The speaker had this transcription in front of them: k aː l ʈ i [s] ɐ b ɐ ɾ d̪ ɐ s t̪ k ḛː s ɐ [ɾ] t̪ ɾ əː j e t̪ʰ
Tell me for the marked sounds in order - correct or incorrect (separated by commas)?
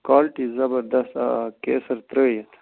incorrect, correct